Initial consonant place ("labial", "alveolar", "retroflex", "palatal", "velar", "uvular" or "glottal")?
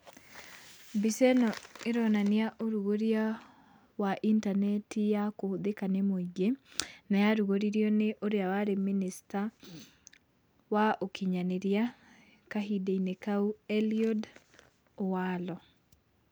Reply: labial